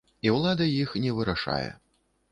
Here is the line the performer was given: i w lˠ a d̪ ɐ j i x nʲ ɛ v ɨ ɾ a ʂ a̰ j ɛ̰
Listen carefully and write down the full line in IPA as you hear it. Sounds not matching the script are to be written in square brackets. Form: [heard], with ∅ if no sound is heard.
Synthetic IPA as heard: i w lˠ a d̪ ɐ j i x nʲ ɛ v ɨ ɾ a ʂ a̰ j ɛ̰